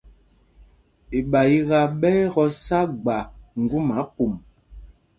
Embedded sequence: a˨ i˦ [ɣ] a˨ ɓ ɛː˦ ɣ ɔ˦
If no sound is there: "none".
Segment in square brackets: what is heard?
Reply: ɣ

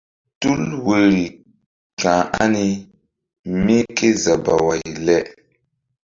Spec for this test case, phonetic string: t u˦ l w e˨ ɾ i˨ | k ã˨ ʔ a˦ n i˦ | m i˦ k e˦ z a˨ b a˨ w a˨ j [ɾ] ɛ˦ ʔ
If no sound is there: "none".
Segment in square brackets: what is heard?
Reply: l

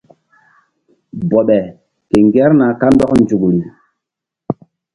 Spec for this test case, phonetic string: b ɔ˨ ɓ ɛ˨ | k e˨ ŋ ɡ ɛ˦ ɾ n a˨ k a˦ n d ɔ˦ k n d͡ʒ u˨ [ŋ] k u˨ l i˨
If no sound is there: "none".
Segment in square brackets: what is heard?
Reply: none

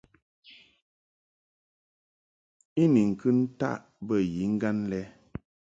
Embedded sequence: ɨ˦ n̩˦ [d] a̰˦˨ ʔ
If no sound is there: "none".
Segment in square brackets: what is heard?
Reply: t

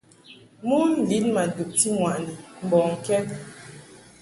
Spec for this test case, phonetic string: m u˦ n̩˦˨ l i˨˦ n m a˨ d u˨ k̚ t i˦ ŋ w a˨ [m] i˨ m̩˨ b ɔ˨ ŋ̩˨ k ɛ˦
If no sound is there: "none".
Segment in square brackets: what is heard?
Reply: n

